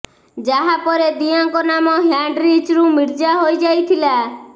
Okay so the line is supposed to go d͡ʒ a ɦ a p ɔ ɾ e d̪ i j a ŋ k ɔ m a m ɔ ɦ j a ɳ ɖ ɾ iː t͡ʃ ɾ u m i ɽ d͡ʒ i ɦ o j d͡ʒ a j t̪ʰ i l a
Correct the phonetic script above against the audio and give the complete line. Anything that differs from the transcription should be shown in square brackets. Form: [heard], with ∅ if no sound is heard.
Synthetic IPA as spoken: d͡ʒ a ɦ a p ɔ ɾ e d̪ i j a ŋ k ɔ [n] a m ɔ ɦ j a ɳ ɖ ɾ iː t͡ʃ ɾ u m i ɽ d͡ʒ [a] ɦ o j d͡ʒ a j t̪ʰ i l a